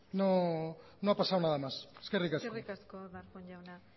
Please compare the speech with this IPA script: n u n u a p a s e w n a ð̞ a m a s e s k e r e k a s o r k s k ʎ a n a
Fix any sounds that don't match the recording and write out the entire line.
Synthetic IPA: n o n o a p a s a w n a ð̞ a m a s e s k e r i k a s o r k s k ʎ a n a